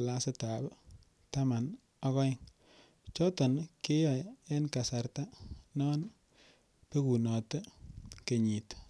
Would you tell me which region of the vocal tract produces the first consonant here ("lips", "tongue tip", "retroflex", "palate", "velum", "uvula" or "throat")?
tongue tip